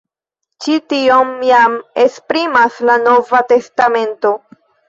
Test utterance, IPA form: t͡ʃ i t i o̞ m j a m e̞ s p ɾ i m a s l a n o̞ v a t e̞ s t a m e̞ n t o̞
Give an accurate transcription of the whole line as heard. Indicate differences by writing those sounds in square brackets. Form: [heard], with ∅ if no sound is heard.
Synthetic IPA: t͡ʃ i t i o̞ m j a m e̞ s p ɾ i m a s l a n o̞ v a t e̞ s t a m e̞ n t o̞